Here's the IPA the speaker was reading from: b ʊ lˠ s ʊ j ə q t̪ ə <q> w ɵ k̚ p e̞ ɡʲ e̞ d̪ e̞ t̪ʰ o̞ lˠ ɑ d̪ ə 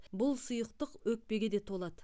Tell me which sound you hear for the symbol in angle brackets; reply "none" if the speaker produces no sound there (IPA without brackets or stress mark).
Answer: q